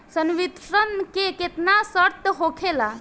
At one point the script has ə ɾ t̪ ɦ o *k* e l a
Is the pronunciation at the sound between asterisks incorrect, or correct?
incorrect